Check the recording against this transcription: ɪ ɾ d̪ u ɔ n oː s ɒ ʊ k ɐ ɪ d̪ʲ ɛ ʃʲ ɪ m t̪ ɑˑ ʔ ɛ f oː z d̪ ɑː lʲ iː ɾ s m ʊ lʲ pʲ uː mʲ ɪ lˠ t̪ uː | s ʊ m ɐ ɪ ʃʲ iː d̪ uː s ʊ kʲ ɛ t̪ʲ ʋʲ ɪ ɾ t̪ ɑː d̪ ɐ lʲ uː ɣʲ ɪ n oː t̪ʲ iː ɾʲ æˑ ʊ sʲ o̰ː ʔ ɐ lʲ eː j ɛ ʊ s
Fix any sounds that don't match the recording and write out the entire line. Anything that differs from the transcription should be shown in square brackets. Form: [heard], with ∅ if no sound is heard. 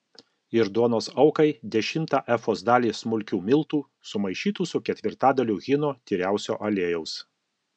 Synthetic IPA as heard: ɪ ɾ d̪ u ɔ n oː s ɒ ʊ k ɐ ɪ d̪ʲ ɛ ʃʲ ɪ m t̪ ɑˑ ʔ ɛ f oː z d̪ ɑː lʲ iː [∅] s m ʊ lʲ [kʲ] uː mʲ ɪ lˠ t̪ uː | s ʊ m ɐ ɪ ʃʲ iː [t̪] uː s ʊ kʲ ɛ t̪ʲ ʋʲ ɪ ɾ t̪ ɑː d̪ ɐ lʲ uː ɣʲ ɪ n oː t̪ʲ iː ɾʲ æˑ ʊ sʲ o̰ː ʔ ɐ lʲ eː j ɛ ʊ s